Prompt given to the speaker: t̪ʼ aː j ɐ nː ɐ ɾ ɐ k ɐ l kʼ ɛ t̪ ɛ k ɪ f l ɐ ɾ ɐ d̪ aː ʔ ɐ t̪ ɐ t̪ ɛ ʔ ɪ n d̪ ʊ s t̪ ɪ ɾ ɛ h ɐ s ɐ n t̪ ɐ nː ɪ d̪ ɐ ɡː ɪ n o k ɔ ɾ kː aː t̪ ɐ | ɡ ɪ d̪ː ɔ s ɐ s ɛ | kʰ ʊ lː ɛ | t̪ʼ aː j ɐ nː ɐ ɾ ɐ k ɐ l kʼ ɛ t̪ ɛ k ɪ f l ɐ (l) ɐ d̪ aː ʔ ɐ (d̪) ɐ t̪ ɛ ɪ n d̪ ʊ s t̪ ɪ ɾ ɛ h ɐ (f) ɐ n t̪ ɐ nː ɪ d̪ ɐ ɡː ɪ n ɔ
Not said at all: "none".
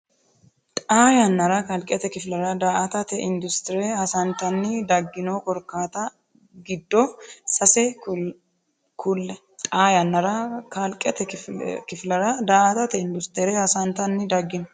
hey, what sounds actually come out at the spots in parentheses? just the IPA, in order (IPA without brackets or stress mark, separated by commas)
ɾ, t̪, s